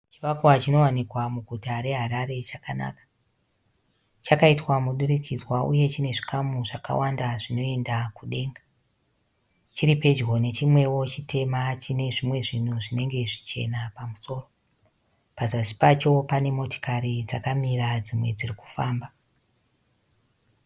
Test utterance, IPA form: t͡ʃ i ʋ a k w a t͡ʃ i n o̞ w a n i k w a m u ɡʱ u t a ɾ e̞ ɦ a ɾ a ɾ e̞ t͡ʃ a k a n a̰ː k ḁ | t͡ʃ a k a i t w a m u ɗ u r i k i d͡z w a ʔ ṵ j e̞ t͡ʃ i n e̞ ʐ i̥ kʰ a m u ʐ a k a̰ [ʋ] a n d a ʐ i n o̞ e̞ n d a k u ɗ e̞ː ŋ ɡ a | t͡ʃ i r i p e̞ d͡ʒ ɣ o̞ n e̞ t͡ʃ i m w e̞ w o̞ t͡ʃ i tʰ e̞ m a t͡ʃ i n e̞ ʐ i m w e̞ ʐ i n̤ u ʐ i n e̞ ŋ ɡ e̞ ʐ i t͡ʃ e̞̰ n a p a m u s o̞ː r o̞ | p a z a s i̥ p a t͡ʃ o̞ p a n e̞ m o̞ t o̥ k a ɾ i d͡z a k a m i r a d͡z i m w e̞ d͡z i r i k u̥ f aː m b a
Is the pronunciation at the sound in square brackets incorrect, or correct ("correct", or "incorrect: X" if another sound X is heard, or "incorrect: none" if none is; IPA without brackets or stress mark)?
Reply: incorrect: w